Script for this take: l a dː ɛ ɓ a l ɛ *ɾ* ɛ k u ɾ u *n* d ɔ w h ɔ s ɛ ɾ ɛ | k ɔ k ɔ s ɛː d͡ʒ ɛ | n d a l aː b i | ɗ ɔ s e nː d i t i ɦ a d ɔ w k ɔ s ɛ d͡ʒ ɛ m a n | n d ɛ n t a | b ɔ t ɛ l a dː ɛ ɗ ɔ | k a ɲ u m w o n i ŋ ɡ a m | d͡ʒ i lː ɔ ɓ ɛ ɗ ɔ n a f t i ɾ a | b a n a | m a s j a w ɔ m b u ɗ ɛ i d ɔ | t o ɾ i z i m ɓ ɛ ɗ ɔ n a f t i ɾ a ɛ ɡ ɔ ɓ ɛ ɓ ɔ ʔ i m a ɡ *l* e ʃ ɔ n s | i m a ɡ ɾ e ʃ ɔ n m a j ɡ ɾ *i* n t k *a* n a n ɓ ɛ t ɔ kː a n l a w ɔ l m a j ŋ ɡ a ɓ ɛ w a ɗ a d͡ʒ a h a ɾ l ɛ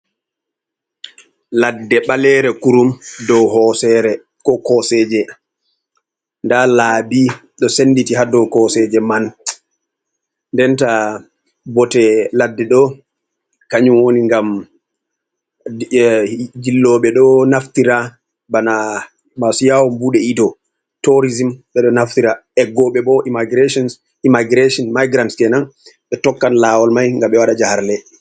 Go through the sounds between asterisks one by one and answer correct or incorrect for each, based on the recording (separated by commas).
correct, incorrect, incorrect, incorrect, incorrect